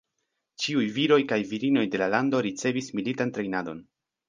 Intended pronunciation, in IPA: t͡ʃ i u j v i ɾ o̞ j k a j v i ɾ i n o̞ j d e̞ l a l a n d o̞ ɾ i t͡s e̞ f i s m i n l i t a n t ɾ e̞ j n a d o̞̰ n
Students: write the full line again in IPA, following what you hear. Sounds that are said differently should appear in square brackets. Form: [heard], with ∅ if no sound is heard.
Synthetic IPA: t͡ʃ i u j v i ɾ o̞ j k a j v i ɾ i n o̞ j d e̞ l a l a n d o̞ ɾ i t͡s e̞ [v] i s m i [∅] l i t a n t ɾ e̞ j n a d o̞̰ n